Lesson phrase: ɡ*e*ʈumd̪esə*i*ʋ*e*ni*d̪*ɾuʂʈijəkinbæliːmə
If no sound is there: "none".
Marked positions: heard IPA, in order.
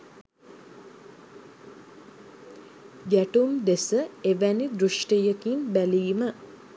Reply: æ, e, æ, d̪

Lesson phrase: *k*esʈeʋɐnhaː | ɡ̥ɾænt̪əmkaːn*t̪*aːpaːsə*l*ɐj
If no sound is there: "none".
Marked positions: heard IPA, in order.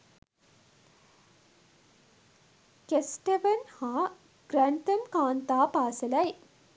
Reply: k, t̪, l

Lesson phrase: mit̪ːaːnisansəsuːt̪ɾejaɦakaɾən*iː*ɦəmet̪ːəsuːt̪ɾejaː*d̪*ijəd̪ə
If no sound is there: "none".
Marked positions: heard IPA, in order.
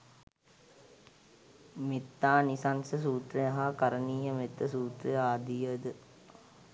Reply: iː, d̪

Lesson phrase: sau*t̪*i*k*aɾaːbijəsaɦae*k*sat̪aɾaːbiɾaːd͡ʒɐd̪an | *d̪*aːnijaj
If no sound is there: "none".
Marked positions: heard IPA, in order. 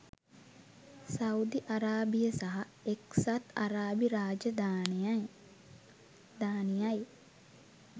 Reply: d̪, ʔ, k, d̪

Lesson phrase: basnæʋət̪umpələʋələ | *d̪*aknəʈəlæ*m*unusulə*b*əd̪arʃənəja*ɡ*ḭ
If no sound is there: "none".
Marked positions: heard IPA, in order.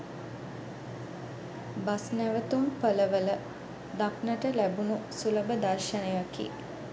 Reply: d̪, b, b, k

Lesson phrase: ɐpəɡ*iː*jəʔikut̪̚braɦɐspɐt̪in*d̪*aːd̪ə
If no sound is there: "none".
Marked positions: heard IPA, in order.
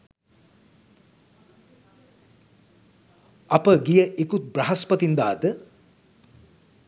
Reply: i, d̪

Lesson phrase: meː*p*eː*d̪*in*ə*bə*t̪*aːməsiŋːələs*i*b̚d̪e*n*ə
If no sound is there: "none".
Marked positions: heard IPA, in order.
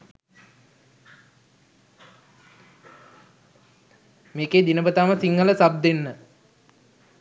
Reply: k, d̪, ə, t̪, a, nː

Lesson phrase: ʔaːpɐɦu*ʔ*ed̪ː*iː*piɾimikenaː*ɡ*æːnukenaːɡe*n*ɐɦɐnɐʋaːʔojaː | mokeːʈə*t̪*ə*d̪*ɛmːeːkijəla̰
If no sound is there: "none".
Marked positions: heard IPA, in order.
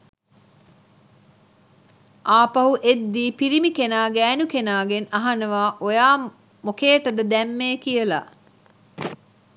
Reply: ʔ, iː, ɡ, n, d̪, d̪

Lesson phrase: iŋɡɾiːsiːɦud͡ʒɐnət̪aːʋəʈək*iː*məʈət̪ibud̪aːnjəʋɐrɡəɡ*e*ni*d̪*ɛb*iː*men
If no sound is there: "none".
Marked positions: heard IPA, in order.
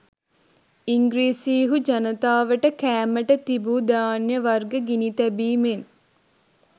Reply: æː, i, t̪, iː

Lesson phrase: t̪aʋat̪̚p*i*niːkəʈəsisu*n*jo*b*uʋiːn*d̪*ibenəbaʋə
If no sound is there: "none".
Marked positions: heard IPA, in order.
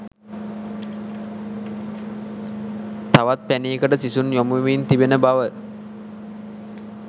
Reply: æ, n, m, t̪

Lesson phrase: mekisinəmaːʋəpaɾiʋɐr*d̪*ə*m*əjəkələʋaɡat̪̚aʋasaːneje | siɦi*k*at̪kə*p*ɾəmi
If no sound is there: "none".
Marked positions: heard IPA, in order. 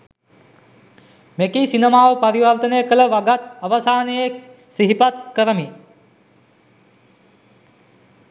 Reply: t̪, n, p, none

